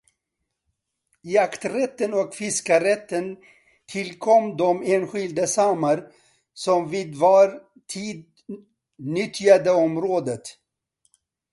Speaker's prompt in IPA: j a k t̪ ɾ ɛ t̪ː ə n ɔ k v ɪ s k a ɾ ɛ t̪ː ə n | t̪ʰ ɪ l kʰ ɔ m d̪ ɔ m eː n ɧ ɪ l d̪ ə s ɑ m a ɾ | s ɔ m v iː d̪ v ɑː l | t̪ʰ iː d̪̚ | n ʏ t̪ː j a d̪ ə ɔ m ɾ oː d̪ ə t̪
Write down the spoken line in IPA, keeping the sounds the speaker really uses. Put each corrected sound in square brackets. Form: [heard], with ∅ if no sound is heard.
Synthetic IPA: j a k t̪ ɾ ɛ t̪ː ə n ɔ k [f] ɪ s k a ɾ ɛ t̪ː ə n | t̪ʰ ɪ l kʰ ɔ m d̪ ɔ m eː n ɧ ɪ l d̪ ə s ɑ m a ɾ | s ɔ m v iː d̪ v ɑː [ɾ] | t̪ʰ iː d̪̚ | n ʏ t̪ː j a d̪ ə ɔ m ɾ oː d̪ ə t̪